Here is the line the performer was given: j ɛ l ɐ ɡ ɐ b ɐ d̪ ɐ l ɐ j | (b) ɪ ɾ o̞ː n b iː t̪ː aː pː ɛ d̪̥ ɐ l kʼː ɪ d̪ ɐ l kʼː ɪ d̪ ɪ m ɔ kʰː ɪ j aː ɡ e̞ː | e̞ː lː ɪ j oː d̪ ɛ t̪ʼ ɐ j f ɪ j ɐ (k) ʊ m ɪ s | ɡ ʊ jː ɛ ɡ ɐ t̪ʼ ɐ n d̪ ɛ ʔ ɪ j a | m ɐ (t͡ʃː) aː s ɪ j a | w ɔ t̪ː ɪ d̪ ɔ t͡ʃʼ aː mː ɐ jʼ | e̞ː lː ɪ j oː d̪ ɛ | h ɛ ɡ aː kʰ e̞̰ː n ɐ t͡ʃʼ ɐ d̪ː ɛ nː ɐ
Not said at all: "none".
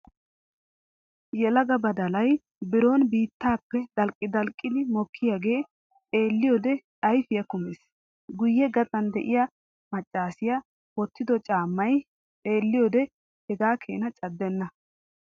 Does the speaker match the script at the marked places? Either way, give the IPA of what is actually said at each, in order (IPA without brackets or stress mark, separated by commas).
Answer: b, k, t͡ʃʼː